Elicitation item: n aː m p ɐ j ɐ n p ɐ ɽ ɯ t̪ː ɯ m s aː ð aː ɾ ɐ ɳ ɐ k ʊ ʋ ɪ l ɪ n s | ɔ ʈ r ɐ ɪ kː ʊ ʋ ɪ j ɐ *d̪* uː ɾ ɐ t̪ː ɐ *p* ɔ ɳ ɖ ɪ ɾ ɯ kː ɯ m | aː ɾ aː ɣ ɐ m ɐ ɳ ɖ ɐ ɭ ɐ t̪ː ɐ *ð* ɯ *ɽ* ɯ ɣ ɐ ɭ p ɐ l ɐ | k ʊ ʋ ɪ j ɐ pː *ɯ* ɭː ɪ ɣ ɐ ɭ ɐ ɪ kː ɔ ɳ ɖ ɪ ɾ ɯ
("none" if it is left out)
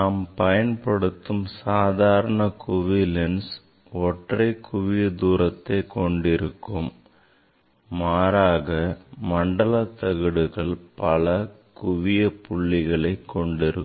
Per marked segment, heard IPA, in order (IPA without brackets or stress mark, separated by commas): d̪, k, ɣ, ɽ, ʊ